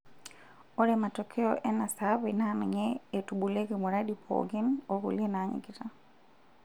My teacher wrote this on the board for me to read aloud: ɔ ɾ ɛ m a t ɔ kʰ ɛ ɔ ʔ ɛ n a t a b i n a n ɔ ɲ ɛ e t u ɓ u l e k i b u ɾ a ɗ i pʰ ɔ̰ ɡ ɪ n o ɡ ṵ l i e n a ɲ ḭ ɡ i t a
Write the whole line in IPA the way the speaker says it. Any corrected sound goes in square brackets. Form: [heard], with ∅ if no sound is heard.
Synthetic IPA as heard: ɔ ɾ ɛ m a t ɔ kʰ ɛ ɔ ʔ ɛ n a [s] a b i n a n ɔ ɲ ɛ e t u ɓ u l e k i [m] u ɾ a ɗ i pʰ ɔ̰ ɡ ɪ n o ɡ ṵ l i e n a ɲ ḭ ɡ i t a